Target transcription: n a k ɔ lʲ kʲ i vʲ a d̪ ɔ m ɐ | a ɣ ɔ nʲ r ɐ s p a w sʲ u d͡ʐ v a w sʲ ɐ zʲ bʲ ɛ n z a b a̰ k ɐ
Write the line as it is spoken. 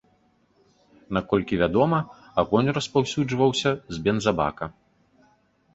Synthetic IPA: n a k ɔ lʲ kʲ i vʲ a d̪ ɔ m ɐ | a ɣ ɔ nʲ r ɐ s p a w sʲ u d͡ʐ v ɐ w sʲ ɐ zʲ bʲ ɛ n z a b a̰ k ɐ

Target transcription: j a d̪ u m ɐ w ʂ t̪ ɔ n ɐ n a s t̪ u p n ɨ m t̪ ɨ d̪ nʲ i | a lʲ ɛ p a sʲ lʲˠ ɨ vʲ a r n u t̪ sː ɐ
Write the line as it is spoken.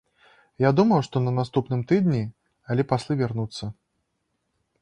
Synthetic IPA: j a d̪ u m ɐ w ʂ t̪ ɔ n ɐ n a s t̪ u p n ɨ m t̪ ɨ d̪ nʲ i | a lʲ ɛ p a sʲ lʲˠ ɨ vʲ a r n u t̪ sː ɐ

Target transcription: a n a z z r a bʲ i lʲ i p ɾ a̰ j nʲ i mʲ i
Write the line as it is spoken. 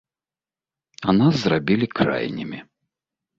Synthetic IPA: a n a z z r a bʲ i lʲ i k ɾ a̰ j nʲ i mʲ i

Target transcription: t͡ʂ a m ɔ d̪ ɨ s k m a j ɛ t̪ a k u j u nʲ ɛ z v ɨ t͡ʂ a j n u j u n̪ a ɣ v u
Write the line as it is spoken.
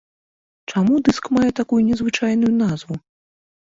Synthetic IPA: t͡ʂ a m u d̪ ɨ s k m a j ɛ t̪ a k u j u nʲ ɛ z v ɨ t͡ʂ a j n u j u n̪ a z v u

